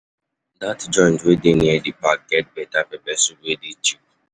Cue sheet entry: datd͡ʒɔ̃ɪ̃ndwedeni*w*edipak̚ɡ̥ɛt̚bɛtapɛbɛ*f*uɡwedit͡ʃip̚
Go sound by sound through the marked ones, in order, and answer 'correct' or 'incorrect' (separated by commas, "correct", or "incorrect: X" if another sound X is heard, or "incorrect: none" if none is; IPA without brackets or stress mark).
incorrect: none, incorrect: s